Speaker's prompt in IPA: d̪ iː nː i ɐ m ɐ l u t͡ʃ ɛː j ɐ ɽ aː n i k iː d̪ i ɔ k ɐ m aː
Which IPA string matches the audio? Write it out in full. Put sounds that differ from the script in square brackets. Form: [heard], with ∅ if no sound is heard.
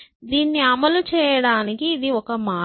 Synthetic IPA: d̪ iː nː i ɐ m ɐ l u t͡ʃ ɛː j ɐ ɽ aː n i k iː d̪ i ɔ k ɐ m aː